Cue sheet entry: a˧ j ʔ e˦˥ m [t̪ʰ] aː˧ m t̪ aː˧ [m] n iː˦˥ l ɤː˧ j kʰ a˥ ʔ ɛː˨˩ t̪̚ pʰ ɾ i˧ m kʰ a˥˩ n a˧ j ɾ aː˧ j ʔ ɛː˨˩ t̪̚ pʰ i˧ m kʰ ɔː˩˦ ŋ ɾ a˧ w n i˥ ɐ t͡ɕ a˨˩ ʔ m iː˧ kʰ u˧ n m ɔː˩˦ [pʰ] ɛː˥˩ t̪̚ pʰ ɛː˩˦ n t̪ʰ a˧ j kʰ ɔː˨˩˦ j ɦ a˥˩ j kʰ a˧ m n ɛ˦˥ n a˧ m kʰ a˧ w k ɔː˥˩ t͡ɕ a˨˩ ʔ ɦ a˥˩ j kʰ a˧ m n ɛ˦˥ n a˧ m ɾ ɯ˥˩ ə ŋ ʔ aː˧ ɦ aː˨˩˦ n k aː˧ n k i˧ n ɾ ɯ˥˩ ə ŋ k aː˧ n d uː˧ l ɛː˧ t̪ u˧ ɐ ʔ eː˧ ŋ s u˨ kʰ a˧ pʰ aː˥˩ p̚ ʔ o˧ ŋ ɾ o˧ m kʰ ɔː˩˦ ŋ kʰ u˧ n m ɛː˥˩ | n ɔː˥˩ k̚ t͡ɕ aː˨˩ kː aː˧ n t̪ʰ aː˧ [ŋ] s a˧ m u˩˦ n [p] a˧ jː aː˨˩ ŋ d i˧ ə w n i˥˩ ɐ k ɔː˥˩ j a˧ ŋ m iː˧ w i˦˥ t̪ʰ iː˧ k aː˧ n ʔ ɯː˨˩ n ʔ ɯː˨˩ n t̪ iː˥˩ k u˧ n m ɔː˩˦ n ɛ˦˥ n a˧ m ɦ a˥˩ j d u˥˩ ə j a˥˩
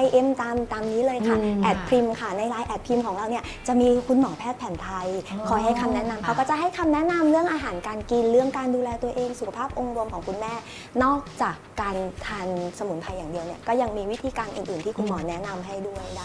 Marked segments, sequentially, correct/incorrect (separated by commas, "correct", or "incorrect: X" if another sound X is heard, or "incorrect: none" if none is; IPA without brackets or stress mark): incorrect: t̪, correct, correct, incorrect: n, incorrect: pʰ